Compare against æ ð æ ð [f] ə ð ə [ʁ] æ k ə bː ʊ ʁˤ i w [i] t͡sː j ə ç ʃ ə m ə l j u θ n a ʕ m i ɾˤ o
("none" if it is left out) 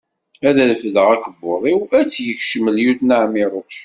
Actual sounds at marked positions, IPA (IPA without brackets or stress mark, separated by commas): f, ʁ, æ